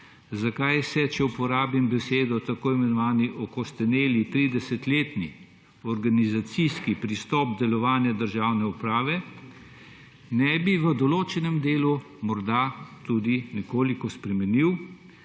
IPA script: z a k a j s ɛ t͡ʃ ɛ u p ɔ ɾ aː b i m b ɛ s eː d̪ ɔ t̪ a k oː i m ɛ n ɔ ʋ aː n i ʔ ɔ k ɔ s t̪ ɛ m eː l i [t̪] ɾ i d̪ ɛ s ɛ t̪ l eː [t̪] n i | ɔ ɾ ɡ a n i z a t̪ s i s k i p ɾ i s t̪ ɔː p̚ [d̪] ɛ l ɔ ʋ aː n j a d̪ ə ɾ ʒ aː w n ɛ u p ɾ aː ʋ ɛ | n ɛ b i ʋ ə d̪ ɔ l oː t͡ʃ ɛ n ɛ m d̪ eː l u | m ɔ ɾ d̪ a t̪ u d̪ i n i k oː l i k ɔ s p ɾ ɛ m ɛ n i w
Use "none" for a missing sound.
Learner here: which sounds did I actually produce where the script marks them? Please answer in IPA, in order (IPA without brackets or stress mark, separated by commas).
t̪, t̪, d̪